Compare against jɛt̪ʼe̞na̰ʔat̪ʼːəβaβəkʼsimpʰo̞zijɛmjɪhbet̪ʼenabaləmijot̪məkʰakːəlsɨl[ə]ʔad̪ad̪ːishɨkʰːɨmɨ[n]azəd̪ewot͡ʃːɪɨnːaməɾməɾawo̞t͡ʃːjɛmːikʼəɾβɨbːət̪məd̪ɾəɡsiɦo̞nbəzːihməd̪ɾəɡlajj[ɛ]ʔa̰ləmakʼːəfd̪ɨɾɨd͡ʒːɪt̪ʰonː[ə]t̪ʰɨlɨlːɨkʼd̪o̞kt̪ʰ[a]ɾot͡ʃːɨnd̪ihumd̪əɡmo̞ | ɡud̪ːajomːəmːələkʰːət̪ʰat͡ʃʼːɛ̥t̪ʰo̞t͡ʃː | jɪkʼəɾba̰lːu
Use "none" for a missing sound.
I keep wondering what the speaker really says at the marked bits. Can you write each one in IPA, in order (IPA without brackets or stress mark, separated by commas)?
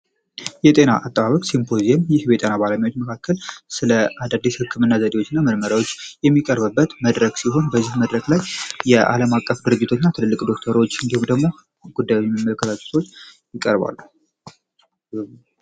ə, nː, ɛ, a, ə